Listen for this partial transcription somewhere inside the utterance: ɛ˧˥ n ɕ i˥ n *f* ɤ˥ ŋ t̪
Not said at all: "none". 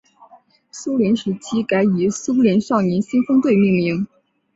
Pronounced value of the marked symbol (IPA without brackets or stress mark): f